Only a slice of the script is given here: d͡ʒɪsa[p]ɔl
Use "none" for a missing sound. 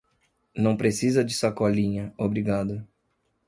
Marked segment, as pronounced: k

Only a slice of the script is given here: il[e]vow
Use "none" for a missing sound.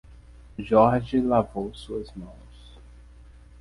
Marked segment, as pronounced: a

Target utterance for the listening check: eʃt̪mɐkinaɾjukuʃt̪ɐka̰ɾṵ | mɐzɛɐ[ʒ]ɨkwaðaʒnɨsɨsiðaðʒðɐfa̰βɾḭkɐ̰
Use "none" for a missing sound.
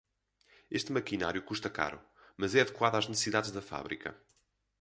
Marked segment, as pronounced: ð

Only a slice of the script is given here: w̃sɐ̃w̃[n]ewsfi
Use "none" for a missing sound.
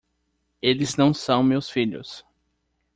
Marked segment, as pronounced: m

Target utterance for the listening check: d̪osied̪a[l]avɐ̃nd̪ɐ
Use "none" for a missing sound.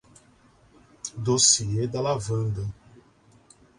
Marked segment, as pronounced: l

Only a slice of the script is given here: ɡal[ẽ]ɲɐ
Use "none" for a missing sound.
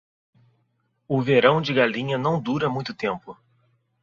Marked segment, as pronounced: ĩ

